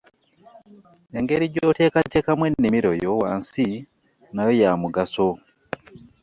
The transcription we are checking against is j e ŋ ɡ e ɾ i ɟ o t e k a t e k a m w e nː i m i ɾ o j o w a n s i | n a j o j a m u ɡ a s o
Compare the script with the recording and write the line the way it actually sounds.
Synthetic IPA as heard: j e ŋ ɡ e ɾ i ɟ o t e k a t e k a m w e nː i m i ɾ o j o w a n s i | n a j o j a m u ɡ a s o